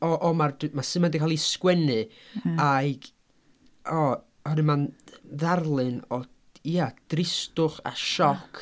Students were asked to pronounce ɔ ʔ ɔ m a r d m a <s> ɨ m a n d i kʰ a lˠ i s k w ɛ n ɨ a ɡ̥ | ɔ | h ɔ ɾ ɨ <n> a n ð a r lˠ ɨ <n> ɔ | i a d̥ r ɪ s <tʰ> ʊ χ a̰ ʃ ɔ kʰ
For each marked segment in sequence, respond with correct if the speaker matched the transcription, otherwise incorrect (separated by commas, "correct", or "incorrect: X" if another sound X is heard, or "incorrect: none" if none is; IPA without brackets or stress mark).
correct, incorrect: m, correct, incorrect: t